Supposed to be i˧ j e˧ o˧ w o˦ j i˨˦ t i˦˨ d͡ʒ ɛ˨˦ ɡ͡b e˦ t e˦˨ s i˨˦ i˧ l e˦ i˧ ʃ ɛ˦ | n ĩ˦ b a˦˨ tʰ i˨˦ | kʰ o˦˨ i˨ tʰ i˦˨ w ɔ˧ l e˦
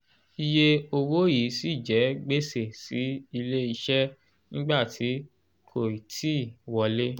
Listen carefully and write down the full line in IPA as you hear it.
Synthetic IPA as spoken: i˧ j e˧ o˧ w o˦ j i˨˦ s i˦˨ d͡ʒ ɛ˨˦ ɡ͡b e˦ s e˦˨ s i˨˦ i˧ l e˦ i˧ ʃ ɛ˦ | n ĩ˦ ɡ͡b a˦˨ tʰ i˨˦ | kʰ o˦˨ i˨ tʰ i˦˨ w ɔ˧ l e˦